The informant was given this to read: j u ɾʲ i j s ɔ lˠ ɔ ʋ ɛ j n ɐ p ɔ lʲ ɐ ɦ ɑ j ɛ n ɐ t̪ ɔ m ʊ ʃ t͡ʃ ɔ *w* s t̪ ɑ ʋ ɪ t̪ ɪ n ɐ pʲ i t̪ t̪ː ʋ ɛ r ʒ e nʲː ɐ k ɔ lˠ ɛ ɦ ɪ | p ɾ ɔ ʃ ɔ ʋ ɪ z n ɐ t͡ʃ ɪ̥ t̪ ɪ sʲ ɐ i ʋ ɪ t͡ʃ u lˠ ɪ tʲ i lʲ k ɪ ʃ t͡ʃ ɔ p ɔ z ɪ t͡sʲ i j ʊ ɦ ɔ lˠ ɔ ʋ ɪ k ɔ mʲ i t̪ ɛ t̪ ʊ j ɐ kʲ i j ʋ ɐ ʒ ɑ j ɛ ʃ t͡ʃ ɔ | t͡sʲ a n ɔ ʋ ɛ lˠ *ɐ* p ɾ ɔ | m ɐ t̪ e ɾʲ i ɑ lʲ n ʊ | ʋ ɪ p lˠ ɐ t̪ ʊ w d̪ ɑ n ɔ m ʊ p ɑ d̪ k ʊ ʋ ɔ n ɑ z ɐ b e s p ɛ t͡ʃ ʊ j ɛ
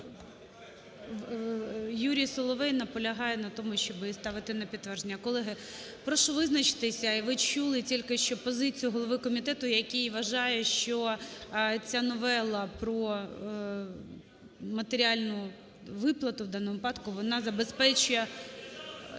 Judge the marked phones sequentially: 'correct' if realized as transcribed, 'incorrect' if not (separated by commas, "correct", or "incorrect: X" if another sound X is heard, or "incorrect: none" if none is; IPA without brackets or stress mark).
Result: incorrect: b, correct